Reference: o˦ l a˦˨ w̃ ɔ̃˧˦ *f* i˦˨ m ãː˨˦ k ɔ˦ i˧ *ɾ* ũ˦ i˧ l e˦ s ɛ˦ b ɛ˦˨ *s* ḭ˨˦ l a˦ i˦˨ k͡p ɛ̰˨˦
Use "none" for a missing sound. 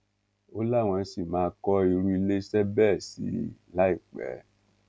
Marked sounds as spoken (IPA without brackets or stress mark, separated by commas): s, ɾ, s